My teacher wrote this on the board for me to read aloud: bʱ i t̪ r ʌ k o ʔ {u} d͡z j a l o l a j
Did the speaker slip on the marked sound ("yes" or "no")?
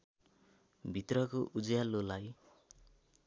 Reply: no